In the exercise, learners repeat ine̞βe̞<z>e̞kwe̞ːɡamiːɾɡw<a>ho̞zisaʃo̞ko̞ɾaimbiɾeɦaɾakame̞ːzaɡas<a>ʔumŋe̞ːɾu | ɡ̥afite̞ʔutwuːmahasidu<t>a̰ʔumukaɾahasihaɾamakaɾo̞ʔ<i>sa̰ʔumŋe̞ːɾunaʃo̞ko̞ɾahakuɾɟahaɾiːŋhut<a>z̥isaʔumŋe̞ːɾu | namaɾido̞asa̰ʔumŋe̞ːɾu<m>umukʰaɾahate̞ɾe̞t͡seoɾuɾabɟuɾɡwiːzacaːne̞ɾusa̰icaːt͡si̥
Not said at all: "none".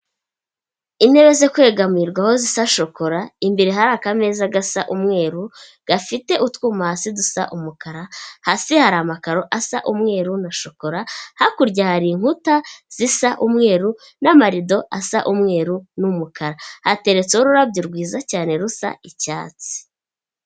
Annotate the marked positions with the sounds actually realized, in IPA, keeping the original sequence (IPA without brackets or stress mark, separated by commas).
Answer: z, a, a, s, a, a, n